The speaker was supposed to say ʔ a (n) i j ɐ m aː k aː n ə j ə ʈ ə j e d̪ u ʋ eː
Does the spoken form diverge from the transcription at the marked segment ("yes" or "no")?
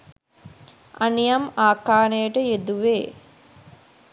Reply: no